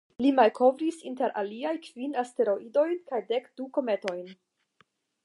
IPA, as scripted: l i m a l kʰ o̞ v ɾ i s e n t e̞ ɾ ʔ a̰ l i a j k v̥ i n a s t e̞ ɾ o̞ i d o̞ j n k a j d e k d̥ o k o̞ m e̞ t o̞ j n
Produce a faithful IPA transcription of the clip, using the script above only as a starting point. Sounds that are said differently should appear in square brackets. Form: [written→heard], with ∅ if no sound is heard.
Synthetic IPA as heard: l i m a l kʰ o̞ v ɾ i s [e→i] n t e̞ ɾ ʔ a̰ l i a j k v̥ i n a s t e̞ ɾ o̞ i d o̞ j n k a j d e k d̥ [o→u] k o̞ m e̞ t o̞ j n